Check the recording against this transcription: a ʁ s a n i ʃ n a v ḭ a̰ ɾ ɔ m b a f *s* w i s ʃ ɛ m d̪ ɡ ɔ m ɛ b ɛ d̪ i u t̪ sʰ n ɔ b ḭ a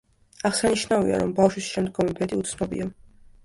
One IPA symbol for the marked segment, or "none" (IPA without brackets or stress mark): ʃ